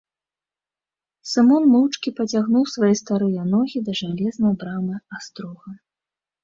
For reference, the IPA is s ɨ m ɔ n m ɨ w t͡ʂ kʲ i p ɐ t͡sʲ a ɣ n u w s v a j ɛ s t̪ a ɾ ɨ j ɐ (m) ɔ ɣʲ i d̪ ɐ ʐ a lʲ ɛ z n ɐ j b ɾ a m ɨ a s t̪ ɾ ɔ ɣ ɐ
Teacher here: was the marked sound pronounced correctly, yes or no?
no